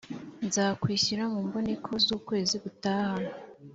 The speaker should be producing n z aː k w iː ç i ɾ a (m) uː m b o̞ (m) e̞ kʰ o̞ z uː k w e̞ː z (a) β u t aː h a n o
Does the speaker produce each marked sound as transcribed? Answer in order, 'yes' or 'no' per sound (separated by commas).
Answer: yes, no, no